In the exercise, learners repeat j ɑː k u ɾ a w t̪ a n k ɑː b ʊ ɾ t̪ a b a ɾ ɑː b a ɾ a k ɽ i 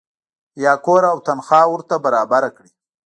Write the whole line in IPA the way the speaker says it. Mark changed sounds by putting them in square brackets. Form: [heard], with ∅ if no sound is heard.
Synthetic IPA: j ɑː k [o] ɾ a w t̪ a n [x] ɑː [w] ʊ ɾ t̪ a b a ɾ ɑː b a ɾ a k ɽ i

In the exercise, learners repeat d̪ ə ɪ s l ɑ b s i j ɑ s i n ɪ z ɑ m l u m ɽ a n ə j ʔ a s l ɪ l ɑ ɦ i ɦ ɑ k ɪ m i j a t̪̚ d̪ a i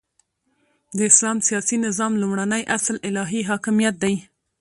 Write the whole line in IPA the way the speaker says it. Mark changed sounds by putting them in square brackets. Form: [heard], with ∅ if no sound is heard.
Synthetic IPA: d̪ ə ɪ s l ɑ [m] s i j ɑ s i n ɪ z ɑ m l u m ɽ a n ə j ʔ a s l ɪ l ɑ ɦ i ɦ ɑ k ɪ m i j a t̪̚ d̪ a [j]

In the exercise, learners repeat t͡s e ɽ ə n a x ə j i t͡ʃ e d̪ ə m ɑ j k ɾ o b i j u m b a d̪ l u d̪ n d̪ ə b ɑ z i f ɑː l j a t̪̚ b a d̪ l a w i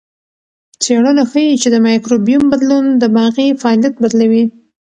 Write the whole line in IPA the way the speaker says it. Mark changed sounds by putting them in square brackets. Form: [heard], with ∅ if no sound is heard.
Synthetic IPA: t͡s e ɽ ə n a x ə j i t͡ʃ e d̪ ə m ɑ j k ɾ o b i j u m b a d̪ l u [∅] n d̪ ə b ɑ [ɣ] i f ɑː l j a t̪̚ b a d̪ l a w i

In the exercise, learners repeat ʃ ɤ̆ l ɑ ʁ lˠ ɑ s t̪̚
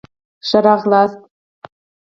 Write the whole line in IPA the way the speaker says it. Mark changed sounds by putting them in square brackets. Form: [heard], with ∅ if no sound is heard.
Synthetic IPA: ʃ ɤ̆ [ɾ] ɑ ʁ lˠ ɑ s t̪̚

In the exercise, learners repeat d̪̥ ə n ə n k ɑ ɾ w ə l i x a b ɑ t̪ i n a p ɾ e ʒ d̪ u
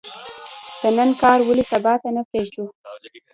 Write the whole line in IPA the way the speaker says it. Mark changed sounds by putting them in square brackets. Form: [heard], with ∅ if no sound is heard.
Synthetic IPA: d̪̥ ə n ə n k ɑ ɾ w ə l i [s] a b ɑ t̪ [a] n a p ɾ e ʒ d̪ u

